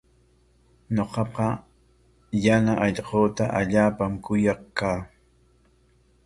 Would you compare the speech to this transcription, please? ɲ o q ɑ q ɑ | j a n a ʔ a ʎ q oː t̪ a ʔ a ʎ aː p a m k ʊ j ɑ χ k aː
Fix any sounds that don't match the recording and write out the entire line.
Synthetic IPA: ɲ o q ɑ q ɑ | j a n a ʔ ɑ ʎ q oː t̪ a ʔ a ʎ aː p a m k ʊ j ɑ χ k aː

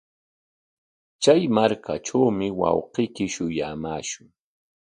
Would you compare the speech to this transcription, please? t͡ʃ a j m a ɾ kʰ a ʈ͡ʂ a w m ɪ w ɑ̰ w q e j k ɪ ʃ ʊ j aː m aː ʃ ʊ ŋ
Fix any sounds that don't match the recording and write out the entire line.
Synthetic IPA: t͡ʃ a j m a ɾ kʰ a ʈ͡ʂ a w m ɪ w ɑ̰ w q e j k ɪ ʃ ʊ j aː m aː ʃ ʊ ŋ

